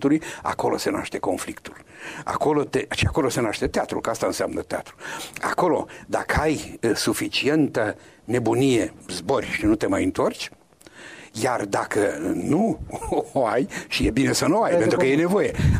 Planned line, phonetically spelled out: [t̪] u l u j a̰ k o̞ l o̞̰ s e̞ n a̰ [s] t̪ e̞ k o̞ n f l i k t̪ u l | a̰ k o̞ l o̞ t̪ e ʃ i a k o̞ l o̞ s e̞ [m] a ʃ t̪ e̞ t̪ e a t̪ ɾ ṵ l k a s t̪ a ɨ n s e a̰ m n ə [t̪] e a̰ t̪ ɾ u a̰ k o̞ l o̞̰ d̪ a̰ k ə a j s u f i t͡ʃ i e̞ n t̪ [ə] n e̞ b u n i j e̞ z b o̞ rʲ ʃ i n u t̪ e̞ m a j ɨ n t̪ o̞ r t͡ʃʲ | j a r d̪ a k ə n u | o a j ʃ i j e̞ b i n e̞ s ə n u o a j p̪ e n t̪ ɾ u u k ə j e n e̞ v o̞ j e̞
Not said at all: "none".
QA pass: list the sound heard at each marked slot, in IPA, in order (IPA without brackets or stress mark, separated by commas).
t̪, ʃ, n, t̪, ə